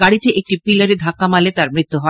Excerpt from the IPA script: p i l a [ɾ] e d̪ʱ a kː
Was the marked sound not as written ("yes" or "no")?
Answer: no